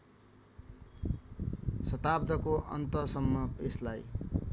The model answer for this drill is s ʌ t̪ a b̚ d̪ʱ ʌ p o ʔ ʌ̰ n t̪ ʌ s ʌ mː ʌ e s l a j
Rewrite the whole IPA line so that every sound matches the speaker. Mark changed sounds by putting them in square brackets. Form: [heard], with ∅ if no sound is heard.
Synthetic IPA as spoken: s ʌ t̪ a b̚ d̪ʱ ʌ [k] o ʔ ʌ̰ n t̪ ʌ s ʌ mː ʌ e s l a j